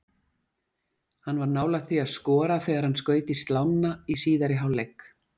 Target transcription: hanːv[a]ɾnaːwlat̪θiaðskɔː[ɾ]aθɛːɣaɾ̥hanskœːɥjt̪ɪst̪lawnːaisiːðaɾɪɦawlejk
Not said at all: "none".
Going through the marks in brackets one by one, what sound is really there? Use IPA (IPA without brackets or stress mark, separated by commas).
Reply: a, ɾ